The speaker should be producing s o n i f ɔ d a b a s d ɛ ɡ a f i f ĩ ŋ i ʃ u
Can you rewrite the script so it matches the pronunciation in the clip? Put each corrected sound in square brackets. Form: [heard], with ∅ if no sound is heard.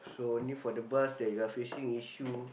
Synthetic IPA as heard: s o n i f ɔ d [ə] b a s d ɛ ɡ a f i [ʃ] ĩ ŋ i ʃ u